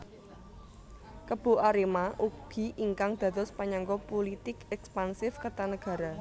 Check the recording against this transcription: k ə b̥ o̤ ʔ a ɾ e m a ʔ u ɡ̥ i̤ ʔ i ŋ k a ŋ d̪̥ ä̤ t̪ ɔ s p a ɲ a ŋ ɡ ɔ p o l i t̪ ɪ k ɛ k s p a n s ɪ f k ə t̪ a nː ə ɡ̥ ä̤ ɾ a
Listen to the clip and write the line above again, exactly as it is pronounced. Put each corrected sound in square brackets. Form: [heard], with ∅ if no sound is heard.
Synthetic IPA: k ə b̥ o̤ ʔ a ɾ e m a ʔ u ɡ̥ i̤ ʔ i ŋ k a ŋ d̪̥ ä̤ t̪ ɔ s p a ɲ a ŋ ɡ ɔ p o l i t̪ ɪ k ɛ k s p a n s ɪ f k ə t̪ a [n] ə ɡ̥ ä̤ ɾ a